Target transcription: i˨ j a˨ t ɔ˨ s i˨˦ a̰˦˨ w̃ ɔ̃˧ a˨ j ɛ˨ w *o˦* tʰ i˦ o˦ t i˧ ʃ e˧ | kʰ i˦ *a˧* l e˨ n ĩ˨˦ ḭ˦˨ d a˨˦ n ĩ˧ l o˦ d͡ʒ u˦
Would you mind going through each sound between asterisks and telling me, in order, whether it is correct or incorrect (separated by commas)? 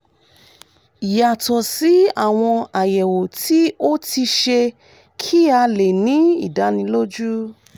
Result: incorrect, correct